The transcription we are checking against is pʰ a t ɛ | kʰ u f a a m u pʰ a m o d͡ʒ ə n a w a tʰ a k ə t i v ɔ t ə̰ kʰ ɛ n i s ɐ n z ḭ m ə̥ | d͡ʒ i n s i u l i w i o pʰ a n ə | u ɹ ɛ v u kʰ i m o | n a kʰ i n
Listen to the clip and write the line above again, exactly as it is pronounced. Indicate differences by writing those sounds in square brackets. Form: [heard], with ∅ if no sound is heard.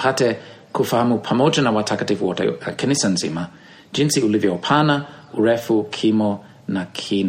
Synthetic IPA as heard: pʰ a t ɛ | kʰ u f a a m u pʰ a m o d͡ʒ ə n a w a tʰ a k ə t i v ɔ t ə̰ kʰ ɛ n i s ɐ n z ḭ m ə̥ | d͡ʒ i n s i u l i [v] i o pʰ a n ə | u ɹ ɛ [f] u kʰ i m o | n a kʰ i n